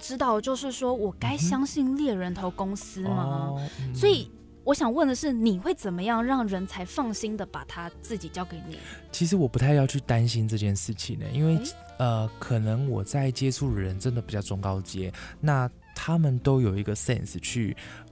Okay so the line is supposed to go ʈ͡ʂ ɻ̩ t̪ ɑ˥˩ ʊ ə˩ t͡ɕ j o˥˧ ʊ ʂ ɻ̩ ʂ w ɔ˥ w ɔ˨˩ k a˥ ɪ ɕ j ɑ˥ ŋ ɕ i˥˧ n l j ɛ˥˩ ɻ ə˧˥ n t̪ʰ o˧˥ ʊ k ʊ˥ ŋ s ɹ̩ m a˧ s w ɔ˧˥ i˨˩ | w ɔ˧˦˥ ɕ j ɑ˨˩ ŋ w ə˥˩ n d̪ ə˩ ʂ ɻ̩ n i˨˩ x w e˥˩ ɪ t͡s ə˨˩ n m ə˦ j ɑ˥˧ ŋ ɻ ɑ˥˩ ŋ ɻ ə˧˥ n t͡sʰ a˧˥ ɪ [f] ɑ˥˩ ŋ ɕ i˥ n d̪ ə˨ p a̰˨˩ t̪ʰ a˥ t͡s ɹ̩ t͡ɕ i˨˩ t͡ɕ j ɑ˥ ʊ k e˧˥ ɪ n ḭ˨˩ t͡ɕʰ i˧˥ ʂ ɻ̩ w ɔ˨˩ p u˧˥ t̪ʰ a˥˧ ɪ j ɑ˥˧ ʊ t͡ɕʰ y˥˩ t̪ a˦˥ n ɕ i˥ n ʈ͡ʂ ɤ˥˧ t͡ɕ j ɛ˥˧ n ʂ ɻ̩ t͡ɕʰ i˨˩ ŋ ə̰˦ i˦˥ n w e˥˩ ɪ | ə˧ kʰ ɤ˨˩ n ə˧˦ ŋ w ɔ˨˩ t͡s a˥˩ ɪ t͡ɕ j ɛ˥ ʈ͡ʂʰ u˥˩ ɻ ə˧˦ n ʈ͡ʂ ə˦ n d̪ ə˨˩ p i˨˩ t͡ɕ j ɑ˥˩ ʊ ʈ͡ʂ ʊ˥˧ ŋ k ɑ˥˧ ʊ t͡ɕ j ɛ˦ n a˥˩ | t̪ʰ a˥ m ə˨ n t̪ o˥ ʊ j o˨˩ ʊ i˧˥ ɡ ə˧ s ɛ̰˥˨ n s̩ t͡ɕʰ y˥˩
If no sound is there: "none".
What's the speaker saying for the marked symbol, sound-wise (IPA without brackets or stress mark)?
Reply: f